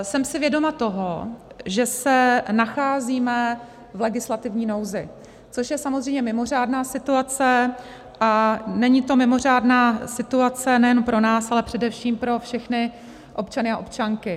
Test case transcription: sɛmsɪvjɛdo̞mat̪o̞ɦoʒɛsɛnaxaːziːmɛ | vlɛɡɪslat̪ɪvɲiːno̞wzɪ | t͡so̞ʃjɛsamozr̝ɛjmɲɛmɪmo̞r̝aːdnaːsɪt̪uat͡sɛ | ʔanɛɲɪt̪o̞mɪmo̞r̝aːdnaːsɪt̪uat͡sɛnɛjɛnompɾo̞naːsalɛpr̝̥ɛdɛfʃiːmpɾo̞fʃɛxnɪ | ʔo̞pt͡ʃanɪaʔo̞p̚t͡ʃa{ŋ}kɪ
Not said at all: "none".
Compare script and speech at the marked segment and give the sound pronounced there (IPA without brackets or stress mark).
ŋ